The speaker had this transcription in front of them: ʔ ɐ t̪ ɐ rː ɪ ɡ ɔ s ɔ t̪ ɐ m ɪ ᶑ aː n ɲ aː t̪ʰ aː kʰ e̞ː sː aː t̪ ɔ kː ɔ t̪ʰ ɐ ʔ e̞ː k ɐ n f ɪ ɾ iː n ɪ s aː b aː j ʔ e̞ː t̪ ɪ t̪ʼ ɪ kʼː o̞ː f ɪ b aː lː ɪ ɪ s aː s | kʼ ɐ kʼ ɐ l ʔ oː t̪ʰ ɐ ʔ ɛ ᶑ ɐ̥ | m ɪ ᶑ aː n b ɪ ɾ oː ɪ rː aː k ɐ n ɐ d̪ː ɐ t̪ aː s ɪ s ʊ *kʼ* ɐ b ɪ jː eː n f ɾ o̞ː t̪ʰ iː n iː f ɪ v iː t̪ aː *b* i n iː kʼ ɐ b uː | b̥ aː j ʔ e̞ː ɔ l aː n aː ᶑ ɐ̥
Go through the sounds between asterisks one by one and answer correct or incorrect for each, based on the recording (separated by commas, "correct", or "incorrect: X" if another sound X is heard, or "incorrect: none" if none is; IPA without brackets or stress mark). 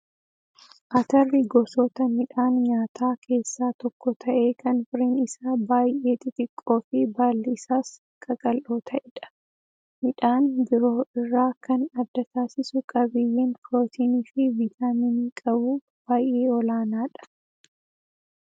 correct, incorrect: m